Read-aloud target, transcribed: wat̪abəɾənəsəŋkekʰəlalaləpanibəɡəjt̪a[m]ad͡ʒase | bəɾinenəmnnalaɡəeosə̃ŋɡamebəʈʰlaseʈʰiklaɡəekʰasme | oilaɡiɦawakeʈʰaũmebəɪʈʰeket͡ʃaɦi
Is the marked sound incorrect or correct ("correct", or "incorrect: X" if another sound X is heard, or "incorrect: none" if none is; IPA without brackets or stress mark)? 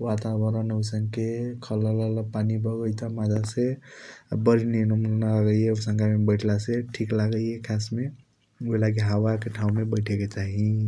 correct